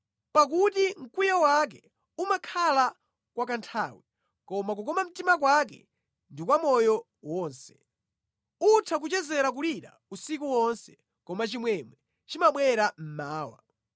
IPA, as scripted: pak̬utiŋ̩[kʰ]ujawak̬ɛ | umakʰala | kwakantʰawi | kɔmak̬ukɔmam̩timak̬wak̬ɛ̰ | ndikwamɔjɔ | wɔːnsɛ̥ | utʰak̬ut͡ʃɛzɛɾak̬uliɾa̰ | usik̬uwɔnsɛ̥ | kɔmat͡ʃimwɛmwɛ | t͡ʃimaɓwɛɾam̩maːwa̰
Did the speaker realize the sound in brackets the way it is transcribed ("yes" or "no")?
no